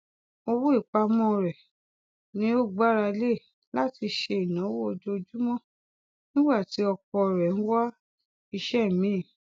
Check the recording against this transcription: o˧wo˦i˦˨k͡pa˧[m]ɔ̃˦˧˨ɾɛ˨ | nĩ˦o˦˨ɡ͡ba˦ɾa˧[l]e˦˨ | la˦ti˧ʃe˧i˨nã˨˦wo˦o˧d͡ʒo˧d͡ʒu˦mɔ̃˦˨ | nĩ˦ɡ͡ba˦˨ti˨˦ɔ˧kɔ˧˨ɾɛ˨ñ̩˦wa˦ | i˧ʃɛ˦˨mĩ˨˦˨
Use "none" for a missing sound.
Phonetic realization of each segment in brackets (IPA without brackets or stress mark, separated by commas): m, l